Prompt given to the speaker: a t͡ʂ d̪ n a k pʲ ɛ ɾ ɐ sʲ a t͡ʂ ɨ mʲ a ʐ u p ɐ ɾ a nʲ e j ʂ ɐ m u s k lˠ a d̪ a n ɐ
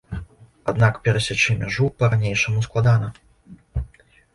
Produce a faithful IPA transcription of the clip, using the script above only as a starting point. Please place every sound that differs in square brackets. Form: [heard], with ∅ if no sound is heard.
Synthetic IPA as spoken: a [∅] d̪ n a k pʲ ɛ ɾ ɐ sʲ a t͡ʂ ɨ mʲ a ʐ u p ɐ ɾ a nʲ e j ʂ ɐ m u s k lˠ a d̪ a n ɐ